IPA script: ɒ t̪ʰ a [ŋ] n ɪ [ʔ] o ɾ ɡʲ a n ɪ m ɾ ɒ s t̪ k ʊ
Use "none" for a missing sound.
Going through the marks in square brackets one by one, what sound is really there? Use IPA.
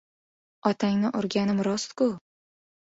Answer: ŋ, ʔ

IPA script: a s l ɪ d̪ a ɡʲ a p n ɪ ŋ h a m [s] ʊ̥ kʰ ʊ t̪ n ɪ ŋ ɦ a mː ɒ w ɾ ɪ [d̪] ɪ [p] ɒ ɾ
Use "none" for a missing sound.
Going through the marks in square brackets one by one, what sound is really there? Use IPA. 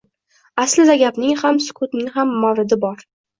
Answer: s, d̪, b

